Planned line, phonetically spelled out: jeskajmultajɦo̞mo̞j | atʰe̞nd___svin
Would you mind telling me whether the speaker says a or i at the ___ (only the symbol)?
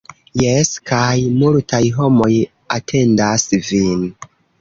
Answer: a